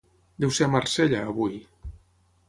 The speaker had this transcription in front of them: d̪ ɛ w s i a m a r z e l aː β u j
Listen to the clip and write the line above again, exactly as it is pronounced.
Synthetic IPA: d̪ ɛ w s e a m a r s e ʎ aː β u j